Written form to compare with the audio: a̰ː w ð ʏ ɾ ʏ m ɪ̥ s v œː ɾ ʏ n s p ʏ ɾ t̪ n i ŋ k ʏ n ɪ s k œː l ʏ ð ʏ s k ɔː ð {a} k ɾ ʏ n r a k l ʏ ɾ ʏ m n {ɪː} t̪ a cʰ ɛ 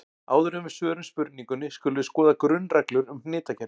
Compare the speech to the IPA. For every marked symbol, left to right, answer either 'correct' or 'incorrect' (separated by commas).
correct, correct